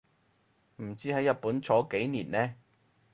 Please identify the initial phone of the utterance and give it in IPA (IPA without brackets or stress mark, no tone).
m̩